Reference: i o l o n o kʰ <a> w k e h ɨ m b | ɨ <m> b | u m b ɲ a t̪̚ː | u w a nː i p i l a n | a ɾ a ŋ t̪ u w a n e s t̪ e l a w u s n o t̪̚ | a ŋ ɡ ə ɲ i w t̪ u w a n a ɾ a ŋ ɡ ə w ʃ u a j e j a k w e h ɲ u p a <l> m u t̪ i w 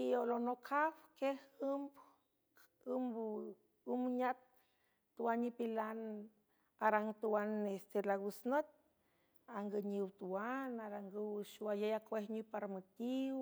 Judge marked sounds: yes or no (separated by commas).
yes, yes, no